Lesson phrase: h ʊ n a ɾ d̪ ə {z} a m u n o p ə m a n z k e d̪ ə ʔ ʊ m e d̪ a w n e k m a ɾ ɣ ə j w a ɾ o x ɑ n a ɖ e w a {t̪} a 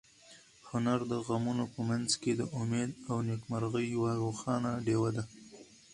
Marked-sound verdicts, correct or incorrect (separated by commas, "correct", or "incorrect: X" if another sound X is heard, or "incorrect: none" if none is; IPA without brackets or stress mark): incorrect: ɣ, incorrect: d̪